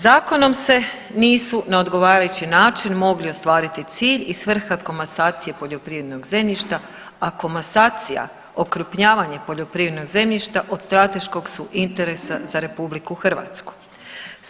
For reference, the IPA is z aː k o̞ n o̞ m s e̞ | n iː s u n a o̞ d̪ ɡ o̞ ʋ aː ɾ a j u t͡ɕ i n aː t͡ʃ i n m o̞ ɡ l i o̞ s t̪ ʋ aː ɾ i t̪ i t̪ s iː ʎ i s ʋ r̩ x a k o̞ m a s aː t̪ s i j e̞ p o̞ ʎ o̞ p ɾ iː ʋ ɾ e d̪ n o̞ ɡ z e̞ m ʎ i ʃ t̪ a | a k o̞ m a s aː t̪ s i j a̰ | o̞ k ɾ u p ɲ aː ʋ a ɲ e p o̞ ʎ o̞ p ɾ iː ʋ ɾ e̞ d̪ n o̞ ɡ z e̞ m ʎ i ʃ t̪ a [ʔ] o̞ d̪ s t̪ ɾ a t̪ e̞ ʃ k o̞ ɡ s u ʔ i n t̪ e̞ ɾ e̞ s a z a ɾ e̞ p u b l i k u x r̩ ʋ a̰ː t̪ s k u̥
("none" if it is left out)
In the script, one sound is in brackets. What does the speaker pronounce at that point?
ʔ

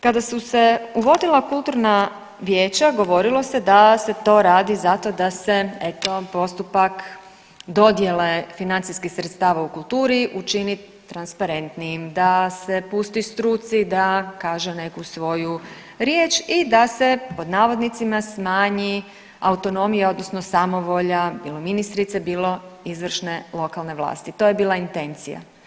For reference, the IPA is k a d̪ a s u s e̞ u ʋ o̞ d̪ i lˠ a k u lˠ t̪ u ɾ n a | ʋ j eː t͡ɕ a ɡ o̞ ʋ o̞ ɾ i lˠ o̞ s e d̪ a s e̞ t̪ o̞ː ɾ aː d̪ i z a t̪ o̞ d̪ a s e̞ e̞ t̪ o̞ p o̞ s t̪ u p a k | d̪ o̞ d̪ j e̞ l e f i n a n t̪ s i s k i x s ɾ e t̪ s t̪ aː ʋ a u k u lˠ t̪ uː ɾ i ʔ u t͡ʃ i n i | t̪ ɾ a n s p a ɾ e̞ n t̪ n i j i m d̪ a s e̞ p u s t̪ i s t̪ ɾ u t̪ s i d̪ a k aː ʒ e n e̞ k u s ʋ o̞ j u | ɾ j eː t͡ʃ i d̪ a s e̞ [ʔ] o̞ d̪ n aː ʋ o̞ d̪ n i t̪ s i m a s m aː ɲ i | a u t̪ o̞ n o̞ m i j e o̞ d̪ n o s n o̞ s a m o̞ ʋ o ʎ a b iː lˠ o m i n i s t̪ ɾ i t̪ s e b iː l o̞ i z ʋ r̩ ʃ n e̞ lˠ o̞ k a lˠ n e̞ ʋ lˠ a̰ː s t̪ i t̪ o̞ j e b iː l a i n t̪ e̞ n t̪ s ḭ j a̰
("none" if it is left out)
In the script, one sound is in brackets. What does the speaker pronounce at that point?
p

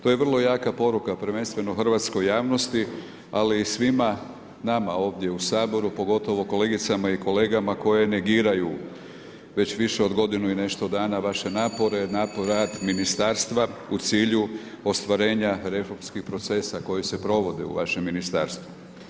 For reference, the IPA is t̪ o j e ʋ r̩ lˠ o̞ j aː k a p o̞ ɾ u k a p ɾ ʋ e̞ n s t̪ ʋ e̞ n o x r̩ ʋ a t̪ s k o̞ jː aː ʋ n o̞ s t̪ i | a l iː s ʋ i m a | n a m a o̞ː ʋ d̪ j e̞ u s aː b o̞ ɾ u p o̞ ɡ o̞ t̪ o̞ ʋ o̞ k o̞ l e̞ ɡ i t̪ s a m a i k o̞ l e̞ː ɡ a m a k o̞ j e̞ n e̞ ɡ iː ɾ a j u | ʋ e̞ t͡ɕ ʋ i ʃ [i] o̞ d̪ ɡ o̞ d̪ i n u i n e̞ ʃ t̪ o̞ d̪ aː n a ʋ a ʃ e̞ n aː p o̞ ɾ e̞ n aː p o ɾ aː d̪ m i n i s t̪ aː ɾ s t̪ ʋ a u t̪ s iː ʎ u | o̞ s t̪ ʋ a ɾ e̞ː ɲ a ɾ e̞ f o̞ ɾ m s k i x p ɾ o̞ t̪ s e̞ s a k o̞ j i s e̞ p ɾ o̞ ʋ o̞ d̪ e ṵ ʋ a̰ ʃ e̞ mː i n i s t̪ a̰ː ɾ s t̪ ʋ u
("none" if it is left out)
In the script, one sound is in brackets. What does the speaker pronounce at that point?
e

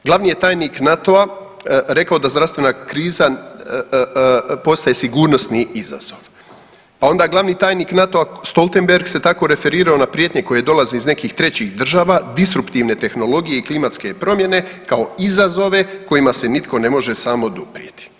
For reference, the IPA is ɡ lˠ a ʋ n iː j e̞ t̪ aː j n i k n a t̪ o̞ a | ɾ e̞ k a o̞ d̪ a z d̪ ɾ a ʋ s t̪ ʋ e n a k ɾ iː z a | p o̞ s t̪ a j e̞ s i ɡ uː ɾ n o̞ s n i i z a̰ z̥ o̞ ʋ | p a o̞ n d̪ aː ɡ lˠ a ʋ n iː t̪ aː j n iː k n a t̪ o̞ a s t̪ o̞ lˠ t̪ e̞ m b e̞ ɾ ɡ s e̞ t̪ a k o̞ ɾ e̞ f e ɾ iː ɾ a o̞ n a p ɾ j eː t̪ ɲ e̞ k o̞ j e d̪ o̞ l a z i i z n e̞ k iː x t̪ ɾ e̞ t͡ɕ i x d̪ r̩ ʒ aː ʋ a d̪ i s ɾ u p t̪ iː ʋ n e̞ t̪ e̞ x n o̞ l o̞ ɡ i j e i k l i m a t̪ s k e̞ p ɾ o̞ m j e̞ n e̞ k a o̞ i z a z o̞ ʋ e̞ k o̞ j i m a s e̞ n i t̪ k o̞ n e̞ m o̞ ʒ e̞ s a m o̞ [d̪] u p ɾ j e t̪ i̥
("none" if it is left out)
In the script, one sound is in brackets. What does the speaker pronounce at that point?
d̪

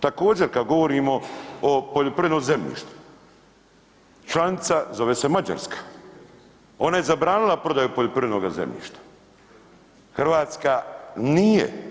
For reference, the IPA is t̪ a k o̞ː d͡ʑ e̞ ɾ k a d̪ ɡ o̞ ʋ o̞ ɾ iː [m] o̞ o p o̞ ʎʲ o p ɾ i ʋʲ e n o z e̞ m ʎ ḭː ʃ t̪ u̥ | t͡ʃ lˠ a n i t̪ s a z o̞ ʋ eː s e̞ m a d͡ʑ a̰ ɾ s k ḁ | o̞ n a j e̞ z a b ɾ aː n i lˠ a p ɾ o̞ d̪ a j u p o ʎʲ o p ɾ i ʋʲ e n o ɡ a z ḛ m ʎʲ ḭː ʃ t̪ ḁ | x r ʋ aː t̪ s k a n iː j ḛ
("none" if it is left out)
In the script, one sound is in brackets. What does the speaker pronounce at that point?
m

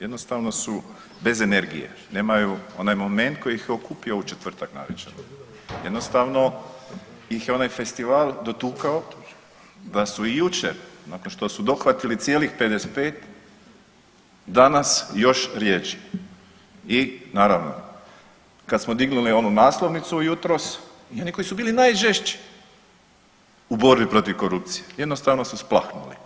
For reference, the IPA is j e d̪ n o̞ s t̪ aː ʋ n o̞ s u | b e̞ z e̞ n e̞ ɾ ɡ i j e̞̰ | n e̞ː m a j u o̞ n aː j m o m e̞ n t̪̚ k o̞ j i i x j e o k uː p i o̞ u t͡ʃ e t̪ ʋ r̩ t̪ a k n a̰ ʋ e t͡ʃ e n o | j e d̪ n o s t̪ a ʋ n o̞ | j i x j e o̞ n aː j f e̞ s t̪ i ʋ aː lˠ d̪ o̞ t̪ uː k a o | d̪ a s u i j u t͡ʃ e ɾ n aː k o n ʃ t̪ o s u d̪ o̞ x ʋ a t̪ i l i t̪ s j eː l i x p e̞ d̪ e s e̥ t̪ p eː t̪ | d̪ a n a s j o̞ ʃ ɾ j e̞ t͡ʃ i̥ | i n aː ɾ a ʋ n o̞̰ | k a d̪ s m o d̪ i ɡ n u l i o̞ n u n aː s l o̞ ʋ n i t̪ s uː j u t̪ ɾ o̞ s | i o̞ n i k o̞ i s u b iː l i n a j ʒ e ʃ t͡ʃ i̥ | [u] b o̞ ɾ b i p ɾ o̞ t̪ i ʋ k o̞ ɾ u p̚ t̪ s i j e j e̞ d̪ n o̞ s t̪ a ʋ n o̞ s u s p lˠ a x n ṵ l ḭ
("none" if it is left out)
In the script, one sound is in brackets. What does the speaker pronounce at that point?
u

